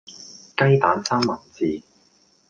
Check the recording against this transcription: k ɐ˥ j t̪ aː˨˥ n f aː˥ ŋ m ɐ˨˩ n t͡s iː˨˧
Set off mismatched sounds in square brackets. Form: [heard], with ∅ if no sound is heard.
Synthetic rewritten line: k ɐ˥ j t̪ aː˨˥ n [s] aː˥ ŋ m ɐ˨˩ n t͡s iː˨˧

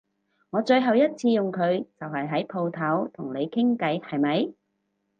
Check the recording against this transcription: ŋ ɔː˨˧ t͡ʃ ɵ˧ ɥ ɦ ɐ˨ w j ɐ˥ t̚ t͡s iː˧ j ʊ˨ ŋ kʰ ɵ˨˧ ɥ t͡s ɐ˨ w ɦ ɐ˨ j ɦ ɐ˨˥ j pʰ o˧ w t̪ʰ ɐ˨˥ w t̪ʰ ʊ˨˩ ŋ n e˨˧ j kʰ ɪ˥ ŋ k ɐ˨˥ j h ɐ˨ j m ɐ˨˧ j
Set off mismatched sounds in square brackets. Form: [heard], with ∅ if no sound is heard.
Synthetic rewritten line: ŋ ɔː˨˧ t͡ʃ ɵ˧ ɥ ɦ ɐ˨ w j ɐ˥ t̚ [t͡sʰ] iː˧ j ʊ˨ ŋ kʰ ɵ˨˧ ɥ t͡s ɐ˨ w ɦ ɐ˨ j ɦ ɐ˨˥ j pʰ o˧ w t̪ʰ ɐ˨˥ w t̪ʰ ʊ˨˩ ŋ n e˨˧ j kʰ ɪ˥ ŋ k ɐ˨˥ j h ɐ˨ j m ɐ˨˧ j

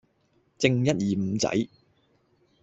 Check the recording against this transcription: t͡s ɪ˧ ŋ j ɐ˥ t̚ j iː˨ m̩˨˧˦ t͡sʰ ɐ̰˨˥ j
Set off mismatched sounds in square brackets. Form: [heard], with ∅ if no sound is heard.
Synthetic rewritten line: t͡s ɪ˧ ŋ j ɐ˥ t̚ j iː˨ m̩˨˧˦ [t͡s] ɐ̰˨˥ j

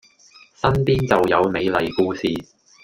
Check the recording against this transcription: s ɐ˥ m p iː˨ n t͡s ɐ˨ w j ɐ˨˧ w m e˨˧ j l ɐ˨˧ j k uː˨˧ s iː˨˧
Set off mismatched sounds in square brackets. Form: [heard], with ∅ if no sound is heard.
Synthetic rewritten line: s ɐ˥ [n] p [iː˥] n t͡s ɐ˨ w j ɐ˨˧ w m e˨˧ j l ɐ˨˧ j k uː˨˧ s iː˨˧

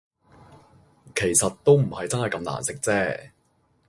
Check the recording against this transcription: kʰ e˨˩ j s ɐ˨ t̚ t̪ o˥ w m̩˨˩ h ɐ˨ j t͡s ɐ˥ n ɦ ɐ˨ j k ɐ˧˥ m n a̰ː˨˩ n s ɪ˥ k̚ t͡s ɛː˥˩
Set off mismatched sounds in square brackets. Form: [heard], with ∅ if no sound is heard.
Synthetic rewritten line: kʰ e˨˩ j s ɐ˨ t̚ t̪ o˥ w m̩˨˩ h ɐ˨ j t͡s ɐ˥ n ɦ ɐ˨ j k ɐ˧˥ m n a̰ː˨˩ n s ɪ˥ k̚ t͡s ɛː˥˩

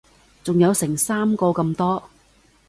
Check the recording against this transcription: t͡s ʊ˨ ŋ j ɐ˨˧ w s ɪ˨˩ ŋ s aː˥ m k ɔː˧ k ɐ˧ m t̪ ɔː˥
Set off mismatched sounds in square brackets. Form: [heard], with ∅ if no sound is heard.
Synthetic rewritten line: t͡s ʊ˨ ŋ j ɐ˨˧ w s ɪ˨˩ ŋ s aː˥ m k ɔː˧ k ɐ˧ m t̪ ɔː˥

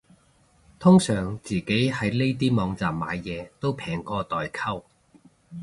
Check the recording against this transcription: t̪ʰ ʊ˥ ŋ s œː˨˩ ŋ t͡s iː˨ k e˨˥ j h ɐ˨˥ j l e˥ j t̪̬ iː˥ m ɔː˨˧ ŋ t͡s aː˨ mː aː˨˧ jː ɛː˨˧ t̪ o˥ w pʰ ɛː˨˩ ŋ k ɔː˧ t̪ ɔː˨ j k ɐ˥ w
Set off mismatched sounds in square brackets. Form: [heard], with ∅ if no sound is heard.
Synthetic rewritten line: t̪ʰ ʊ˥ ŋ s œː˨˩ ŋ t͡s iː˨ k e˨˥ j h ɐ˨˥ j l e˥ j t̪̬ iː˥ m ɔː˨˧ ŋ t͡s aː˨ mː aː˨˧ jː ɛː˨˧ t̪ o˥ w pʰ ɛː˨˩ ŋ k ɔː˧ t̪ ɔː˨ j [kʰ] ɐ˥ w

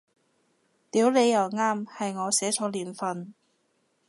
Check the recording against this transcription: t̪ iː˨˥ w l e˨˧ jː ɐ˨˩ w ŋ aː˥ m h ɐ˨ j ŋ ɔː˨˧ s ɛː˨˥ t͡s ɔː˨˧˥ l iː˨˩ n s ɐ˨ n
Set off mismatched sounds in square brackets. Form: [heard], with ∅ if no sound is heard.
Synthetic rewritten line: t̪ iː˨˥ w l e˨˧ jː ɐ˨˩ w ŋ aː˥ m h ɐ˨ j ŋ ɔː˨˧ s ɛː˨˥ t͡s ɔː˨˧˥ l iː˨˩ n [f] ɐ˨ n

